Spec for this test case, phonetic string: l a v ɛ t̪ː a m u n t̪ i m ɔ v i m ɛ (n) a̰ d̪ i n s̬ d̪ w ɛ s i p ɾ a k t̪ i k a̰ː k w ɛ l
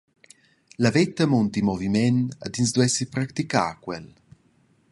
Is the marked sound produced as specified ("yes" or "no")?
yes